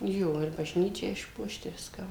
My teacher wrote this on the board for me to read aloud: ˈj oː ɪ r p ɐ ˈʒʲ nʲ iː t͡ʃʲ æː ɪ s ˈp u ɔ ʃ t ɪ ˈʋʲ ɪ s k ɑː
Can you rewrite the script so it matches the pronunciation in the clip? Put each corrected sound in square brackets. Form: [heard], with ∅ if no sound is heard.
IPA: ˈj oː ɪ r [b] ɐ ˈʒʲ nʲ iː t͡ʃʲ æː ɪ [ʃ] ˈp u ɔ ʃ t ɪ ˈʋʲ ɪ s k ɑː